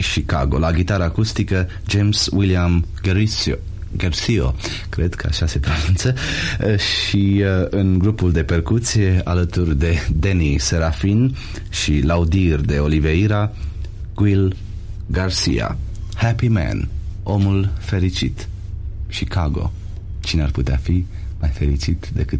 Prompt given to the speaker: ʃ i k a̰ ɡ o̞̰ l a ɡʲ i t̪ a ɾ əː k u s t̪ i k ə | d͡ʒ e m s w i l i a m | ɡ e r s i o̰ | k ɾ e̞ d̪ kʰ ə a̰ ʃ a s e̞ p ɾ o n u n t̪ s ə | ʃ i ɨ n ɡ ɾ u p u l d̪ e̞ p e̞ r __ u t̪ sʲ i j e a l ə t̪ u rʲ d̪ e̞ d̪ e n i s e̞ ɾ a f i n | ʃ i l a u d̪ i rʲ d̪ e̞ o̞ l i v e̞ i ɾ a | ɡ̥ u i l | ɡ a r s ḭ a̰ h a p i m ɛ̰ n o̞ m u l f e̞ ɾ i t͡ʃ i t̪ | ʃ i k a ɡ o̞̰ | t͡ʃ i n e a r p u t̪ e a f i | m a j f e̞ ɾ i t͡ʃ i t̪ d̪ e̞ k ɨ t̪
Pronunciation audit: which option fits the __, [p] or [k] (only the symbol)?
k